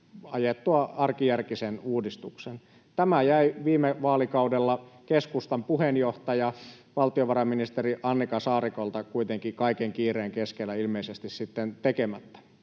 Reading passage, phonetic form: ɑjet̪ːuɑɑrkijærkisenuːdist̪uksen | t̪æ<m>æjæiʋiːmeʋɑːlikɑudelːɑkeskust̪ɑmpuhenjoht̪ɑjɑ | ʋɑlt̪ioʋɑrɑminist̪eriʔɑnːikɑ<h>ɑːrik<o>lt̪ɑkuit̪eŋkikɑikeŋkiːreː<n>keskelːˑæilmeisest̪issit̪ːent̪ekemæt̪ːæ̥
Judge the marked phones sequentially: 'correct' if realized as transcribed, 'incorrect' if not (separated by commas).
correct, incorrect, correct, incorrect